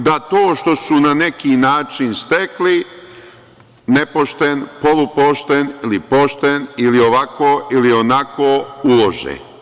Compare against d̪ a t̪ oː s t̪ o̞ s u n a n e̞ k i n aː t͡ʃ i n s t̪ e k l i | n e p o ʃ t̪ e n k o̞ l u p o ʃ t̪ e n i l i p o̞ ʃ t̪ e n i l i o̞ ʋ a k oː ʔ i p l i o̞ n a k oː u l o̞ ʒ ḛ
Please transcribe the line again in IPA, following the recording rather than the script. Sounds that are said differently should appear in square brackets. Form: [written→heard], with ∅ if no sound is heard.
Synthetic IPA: d̪ a t̪ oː [s→ʃ] t̪ o̞ s u n a n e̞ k i n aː t͡ʃ i n s t̪ e k l i | n e p o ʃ t̪ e n [k→p] o̞ l u p o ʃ t̪ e n i l i p o̞ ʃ t̪ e n i l i o̞ ʋ a k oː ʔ i [p→∅] l i o̞ n a k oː u l o̞ ʒ ḛ